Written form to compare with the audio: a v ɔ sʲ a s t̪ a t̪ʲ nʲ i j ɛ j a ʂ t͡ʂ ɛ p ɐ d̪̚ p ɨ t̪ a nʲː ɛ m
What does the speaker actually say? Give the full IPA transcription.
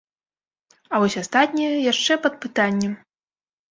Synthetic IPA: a v ɔ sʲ a s t̪ a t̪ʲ nʲ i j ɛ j a ʂ t͡ʂ ɛ p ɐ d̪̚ p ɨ t̪ a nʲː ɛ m